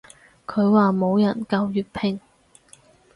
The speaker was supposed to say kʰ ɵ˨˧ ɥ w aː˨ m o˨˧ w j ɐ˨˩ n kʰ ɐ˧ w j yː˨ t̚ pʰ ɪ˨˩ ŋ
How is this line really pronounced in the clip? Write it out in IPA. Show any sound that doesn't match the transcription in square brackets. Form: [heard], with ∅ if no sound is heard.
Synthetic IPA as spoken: kʰ ɵ˨˧ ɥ w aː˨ m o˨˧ w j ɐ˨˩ n [k] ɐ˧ w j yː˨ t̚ pʰ ɪ˨˩ ŋ